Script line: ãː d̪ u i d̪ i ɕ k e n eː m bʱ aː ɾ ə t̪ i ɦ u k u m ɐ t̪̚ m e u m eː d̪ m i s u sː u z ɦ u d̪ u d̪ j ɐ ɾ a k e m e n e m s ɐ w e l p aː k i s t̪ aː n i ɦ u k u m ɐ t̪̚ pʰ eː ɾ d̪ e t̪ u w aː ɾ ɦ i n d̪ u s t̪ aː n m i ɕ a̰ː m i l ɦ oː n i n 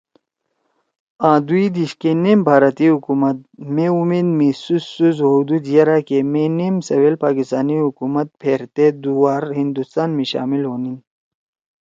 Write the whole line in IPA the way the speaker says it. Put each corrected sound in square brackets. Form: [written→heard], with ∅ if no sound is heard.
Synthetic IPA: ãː d̪ u i d̪ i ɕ k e n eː m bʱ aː ɾ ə t̪ i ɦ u k u m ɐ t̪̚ m e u m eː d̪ m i s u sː u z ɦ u d̪ u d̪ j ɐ ɾ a k e m e n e m s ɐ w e l p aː k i s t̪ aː n i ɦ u k u m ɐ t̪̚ pʰ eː ɾ [d̪→t̪] e [t̪→d̪] u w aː ɾ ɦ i n d̪ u s t̪ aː n m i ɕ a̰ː m i l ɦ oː n i n